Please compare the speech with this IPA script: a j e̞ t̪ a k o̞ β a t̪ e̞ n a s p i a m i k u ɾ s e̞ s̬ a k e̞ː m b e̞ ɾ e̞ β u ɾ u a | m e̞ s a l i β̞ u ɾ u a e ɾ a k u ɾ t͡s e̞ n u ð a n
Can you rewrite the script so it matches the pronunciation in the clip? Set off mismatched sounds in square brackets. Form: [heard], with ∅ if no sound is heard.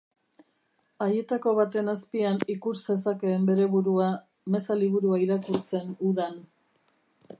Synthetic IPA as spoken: a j e̞ t̪ a k o̞ β a t̪ e̞ n a s p i a [n] i k u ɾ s e̞ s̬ a k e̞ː m b e̞ ɾ e̞ β u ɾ u a | m e̞ s a l i β̞ u ɾ u a [i] ɾ a k u ɾ t͡s e̞ n u ð a n